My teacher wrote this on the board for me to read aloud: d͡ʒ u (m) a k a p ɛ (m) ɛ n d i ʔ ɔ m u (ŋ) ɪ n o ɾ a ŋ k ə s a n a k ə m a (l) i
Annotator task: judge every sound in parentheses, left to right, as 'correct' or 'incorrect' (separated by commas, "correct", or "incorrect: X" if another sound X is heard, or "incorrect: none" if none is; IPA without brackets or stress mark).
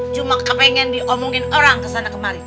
correct, incorrect: ŋ, correct, incorrect: ɾ